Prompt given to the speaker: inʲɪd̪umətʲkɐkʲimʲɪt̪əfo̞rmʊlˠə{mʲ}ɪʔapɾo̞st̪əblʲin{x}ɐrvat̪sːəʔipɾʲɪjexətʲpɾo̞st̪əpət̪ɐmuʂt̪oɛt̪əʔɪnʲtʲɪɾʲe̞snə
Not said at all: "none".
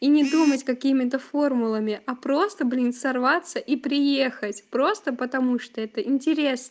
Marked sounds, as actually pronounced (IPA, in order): mʲ, s

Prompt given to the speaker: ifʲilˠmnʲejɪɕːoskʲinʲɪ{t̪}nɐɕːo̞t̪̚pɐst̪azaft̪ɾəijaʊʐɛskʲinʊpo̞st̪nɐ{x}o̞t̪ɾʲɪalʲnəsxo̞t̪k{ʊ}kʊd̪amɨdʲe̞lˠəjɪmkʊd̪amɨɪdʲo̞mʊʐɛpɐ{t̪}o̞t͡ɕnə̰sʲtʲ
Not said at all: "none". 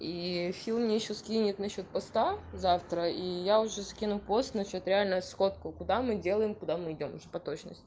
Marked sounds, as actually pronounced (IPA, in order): t̪, ɕ, ʊ, t̪

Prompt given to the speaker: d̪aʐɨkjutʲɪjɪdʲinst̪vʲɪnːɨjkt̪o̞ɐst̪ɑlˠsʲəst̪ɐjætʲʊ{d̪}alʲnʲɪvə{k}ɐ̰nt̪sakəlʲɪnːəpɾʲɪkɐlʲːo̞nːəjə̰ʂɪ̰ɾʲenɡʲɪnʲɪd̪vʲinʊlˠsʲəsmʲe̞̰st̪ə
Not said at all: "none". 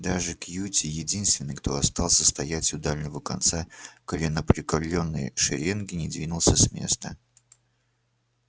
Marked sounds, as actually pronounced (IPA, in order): d̪, k

